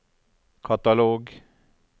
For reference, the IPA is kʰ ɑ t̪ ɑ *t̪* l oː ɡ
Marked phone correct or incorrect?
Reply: incorrect: none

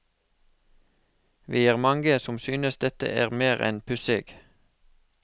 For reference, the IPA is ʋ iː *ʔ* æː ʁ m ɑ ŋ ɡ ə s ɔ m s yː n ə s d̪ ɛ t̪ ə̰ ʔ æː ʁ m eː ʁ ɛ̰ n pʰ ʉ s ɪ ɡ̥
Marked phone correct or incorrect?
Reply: incorrect: none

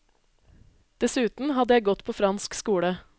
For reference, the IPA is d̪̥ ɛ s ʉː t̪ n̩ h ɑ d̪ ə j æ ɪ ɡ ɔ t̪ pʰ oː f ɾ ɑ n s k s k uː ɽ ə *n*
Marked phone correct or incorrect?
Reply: incorrect: none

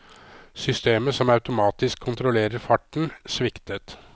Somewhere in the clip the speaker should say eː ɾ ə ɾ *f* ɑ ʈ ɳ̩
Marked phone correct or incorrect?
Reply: correct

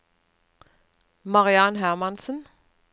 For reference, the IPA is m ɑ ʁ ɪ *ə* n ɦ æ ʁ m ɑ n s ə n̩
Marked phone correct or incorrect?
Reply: incorrect: ɑ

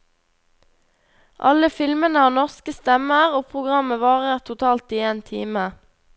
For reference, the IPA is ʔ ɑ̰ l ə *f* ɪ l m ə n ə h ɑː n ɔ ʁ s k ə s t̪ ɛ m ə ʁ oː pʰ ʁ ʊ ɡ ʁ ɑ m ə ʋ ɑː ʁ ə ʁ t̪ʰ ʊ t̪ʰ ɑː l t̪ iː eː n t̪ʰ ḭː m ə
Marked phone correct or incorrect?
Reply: correct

